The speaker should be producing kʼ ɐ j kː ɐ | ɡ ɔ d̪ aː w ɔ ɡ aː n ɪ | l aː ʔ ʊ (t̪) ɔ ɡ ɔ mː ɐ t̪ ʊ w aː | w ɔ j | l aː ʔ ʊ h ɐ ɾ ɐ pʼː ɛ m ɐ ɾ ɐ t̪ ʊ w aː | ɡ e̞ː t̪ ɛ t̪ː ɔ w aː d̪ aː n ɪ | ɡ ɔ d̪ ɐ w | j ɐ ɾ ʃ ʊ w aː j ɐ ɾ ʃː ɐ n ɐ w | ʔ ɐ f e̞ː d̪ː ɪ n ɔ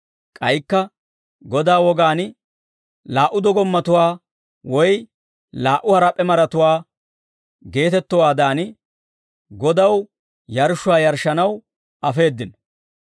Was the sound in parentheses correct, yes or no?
no